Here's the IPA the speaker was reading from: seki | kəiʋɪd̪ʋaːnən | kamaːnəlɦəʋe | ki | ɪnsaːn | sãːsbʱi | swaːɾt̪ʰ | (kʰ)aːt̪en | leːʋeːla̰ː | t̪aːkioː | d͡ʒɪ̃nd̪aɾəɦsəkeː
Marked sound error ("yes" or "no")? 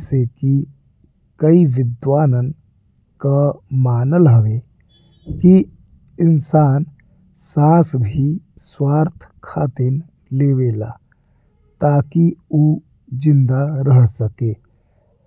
no